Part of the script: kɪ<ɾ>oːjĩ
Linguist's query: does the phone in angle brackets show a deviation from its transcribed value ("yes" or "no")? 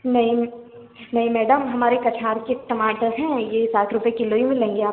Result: yes